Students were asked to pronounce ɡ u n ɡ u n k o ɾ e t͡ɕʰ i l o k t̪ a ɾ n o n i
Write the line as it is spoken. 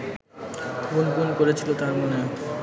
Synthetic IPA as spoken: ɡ u n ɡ u n k o ɾ e t͡ɕʰ i l o t̪ a ɾ m o n e